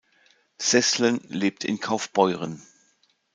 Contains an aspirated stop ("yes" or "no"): yes